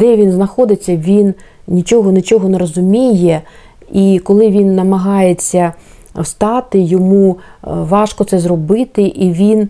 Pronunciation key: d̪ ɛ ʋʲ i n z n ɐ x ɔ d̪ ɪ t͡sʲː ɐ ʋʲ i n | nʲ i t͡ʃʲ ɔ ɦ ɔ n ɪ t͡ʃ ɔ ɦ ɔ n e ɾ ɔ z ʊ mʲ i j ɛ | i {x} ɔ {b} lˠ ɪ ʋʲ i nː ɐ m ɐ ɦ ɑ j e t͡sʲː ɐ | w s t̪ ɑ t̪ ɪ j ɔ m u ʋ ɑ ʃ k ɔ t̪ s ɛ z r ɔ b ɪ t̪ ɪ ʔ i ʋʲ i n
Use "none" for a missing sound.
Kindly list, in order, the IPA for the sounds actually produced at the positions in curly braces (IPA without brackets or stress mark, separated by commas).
k, none